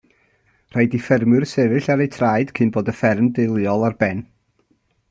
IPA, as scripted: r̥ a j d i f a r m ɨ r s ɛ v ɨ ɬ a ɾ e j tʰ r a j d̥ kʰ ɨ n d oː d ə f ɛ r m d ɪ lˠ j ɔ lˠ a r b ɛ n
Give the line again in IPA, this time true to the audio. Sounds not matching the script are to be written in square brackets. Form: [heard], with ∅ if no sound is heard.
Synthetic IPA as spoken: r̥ a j d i f [ɛ] r m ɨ r s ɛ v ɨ ɬ a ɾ e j tʰ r a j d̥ kʰ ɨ n [b] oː d ə f ɛ r m d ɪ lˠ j ɔ lˠ a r b ɛ n